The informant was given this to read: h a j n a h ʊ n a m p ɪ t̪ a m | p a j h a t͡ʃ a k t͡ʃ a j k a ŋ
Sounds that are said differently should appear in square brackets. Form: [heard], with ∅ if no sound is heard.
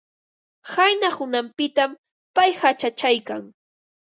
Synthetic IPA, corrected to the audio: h a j n a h ʊ n a m p ɪ t̪ a m | p a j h a t͡ʃ a [∅] t͡ʃ a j k a ŋ